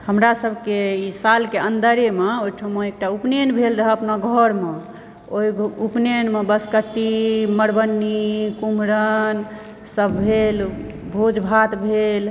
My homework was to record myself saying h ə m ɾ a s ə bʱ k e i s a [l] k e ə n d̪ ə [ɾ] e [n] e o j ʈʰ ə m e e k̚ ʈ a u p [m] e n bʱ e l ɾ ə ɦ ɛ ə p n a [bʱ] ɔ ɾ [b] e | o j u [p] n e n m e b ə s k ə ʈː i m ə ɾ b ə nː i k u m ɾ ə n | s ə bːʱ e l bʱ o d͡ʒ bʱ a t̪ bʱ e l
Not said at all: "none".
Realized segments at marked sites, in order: l, ɾ, m, n, ɡʱ, m, p

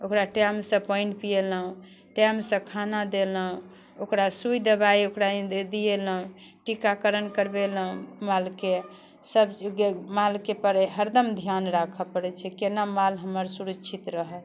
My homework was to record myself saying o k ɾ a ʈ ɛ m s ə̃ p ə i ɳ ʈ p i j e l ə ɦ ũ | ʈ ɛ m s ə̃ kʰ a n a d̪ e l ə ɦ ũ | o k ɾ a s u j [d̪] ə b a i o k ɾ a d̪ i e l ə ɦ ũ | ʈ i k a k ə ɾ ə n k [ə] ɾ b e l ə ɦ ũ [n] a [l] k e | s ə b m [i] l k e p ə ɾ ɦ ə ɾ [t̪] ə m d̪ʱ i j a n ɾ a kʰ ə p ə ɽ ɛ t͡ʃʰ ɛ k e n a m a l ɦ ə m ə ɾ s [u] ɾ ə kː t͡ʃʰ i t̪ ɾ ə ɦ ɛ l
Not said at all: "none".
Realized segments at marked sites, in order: d̪, ə, m, l, a, d̪, u

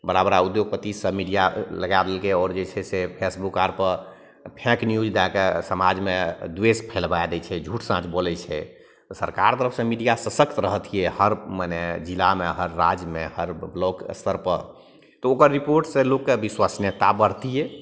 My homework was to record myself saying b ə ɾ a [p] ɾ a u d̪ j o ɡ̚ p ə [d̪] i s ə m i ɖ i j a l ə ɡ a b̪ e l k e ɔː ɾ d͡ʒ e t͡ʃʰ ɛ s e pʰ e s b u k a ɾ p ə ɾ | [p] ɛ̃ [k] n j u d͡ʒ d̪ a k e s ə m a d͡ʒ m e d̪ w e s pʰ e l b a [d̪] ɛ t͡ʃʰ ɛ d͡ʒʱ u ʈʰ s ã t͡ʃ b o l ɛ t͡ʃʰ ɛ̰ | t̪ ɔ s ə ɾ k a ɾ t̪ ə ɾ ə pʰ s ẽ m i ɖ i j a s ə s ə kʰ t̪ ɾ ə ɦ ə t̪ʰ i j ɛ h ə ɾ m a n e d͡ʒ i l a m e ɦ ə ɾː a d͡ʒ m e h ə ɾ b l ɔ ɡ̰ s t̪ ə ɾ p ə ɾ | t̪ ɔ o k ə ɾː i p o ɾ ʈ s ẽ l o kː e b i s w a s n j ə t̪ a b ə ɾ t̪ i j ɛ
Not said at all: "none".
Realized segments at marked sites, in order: b, t̪, pʰ, k, d̪

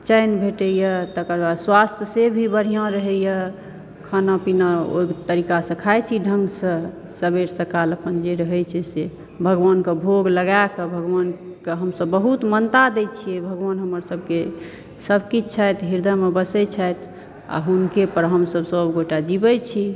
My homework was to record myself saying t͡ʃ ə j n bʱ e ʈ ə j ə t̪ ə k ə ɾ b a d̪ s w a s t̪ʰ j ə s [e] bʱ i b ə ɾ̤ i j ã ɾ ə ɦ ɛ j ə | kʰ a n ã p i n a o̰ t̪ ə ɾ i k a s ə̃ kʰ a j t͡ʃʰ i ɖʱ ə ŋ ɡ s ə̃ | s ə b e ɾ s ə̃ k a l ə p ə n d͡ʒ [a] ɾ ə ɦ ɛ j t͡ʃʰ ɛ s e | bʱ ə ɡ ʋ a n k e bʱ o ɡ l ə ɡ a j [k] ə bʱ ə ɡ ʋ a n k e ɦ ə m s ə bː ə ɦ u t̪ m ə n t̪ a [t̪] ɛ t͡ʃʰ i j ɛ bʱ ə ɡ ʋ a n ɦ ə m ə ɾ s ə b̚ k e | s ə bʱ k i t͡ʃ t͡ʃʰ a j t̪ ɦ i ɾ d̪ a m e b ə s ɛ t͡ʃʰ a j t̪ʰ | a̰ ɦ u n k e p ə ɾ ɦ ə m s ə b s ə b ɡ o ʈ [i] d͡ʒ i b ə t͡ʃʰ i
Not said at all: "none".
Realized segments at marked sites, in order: e, e, k, d̪, a

